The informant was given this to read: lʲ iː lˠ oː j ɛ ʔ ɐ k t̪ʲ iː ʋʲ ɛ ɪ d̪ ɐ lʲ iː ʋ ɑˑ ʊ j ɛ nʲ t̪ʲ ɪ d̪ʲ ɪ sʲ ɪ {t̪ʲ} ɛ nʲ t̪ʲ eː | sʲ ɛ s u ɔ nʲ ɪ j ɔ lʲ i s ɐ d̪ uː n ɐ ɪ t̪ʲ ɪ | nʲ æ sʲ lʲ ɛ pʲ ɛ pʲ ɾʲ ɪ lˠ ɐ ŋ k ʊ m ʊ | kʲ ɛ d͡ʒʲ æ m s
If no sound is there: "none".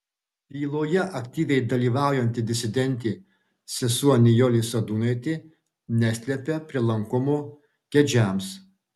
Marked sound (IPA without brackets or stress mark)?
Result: d̪ʲ